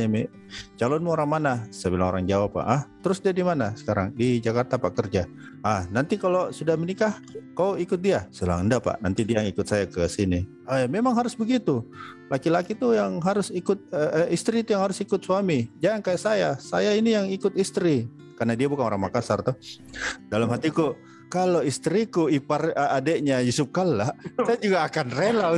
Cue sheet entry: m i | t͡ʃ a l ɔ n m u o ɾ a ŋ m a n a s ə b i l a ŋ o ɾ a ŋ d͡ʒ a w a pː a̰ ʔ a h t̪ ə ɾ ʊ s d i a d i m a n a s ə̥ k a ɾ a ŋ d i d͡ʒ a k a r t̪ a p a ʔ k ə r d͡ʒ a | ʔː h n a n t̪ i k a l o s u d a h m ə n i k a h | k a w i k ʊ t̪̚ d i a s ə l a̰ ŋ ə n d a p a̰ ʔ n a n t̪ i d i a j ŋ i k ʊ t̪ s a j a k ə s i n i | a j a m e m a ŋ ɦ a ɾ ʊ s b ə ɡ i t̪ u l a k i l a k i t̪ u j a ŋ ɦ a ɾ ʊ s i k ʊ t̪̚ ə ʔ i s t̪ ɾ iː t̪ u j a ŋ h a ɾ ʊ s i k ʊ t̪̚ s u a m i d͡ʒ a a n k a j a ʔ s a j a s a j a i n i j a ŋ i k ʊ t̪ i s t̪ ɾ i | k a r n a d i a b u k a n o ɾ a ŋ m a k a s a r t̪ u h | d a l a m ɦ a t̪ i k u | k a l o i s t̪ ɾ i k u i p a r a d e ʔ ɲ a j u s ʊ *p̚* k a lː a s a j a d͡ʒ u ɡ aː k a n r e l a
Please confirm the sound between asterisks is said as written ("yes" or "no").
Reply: yes